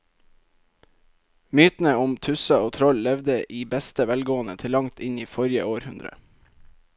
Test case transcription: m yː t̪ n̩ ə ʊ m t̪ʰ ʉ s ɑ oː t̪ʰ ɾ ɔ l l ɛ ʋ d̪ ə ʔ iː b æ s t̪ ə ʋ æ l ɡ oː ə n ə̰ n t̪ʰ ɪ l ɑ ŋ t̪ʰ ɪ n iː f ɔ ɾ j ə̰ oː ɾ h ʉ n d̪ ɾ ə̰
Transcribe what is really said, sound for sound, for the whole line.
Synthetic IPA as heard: m yː t̪ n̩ ə ʊ m t̪ʰ ʉ s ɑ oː t̪ʰ ɾ ɔ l l ɛ ʋ d̪ ə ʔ iː b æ s t̪ ə ʋ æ l ɡ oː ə n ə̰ t̪ʰ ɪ l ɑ ŋ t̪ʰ ɪ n iː f ɔ ɾ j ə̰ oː ɾ h ʉ n d̪ ɾ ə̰